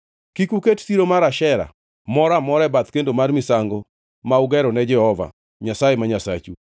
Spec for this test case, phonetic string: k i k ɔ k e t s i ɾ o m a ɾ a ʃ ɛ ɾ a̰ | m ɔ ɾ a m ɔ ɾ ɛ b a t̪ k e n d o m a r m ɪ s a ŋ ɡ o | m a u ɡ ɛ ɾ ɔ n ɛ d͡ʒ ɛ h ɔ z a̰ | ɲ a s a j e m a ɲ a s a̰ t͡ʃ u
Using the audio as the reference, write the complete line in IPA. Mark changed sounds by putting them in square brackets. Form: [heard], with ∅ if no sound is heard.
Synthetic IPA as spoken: k i k [u] k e t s i ɾ o m a ɾ a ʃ ɛ ɾ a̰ | m ɔ ɾ a m ɔ ɾ ɛ b a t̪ k e n d o m a r m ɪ s a ŋ ɡ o | m a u ɡ ɛ ɾ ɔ n ɛ d͡ʒ ɛ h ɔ [v] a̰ | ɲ a s a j e m a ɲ a s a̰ t͡ʃ u